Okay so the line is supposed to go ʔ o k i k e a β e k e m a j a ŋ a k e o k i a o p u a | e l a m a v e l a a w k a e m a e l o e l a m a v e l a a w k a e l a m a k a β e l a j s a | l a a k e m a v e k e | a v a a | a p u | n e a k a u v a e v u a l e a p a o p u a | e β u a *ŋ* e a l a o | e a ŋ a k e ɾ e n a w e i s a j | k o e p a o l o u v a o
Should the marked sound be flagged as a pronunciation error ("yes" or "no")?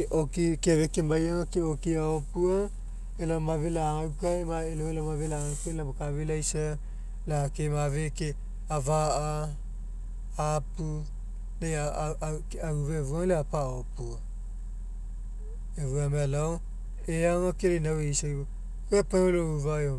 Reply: yes